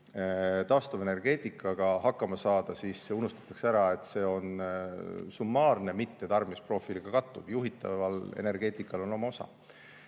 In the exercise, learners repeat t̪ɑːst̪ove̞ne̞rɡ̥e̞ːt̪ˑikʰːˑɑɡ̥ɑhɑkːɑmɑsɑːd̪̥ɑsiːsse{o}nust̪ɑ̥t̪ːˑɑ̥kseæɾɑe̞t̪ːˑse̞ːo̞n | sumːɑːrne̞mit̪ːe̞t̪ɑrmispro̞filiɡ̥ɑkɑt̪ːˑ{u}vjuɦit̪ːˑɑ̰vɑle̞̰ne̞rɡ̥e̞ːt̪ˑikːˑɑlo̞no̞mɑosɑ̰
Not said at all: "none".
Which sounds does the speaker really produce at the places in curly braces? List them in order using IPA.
u, u

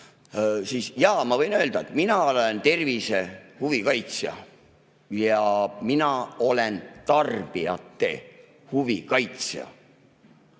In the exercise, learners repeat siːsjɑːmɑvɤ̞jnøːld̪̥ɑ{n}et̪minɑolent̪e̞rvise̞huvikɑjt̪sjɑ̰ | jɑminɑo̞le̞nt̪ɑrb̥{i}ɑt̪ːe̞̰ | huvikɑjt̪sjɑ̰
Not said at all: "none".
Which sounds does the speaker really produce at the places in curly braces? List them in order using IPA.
none, i

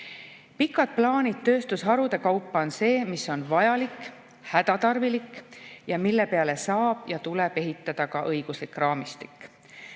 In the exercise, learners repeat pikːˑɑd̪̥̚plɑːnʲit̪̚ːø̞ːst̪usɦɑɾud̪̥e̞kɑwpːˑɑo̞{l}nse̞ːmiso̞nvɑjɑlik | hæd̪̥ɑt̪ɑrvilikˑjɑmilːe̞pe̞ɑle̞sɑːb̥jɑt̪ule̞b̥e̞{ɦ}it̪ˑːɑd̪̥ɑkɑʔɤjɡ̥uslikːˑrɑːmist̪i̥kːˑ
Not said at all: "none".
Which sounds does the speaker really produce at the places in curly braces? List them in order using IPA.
none, ɦ

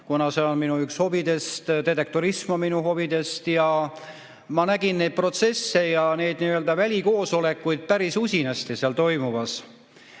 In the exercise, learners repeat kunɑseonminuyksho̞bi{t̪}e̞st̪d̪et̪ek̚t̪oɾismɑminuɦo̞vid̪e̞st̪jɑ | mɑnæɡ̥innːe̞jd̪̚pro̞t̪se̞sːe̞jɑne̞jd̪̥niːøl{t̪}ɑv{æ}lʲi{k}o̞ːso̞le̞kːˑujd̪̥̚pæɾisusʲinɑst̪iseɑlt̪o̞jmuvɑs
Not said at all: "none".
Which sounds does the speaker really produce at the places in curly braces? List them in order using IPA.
d̪, d̪, æ, k

